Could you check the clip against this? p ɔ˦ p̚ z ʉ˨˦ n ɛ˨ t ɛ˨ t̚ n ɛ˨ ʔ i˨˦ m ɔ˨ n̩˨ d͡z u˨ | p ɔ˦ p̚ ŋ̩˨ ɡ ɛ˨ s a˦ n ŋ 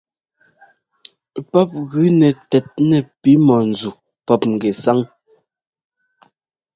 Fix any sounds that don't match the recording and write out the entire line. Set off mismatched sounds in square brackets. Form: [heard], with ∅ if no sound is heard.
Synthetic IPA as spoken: p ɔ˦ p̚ [ɣ] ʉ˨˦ n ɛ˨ t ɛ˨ t̚ n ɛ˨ [p] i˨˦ m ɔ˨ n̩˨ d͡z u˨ | p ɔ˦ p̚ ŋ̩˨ ɡ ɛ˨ s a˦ [∅] ŋ